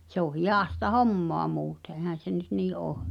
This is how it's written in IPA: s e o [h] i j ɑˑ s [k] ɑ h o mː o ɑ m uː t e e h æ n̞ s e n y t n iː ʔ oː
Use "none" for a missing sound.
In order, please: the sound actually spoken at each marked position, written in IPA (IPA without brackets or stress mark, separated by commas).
h, t